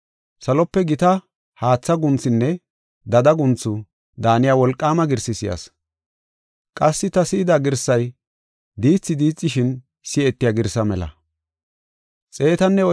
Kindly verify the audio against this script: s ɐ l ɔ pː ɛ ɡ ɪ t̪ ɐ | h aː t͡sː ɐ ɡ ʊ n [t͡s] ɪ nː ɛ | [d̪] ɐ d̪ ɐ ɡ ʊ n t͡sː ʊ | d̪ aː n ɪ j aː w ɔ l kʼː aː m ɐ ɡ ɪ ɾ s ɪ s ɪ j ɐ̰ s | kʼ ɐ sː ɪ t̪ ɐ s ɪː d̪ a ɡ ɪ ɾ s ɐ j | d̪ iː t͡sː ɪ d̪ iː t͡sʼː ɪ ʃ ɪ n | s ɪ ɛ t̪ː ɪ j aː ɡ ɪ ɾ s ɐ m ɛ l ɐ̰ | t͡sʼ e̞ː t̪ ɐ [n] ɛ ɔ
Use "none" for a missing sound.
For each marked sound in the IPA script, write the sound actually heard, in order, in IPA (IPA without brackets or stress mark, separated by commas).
t͡s, d̪, nː